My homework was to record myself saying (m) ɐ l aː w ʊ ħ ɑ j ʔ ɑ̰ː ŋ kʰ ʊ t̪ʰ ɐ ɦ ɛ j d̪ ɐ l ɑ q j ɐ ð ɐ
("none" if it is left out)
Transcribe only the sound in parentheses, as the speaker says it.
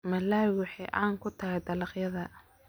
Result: m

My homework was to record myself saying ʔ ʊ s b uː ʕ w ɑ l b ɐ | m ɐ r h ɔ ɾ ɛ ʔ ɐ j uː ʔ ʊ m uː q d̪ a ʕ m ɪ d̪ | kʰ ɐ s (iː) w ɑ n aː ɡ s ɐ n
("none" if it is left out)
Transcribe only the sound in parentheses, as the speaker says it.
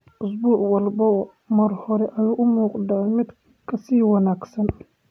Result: iː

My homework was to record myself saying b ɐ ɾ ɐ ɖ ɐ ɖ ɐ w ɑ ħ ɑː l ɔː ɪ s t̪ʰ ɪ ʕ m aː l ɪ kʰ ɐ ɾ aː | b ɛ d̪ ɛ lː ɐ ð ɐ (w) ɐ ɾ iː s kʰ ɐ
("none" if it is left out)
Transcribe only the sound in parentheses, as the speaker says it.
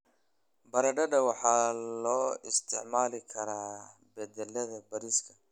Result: b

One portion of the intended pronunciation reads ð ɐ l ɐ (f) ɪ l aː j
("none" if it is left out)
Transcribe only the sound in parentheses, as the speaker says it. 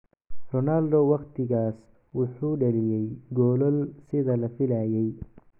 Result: f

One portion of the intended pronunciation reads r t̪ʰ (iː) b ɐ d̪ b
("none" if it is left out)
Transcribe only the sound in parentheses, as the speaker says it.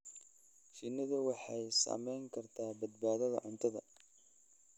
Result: aː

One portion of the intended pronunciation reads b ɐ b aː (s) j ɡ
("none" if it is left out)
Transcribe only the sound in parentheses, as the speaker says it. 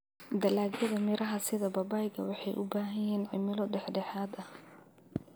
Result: none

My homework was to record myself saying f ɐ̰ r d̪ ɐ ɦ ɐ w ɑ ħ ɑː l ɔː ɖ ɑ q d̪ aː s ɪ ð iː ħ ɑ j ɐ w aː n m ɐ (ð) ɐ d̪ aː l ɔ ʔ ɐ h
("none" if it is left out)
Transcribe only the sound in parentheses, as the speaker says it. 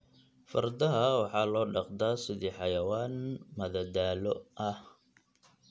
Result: ð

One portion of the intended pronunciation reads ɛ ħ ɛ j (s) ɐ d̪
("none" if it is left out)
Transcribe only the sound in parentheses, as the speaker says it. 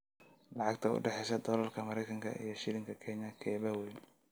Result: s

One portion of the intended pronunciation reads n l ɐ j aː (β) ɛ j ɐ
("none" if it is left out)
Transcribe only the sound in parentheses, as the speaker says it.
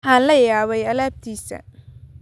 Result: β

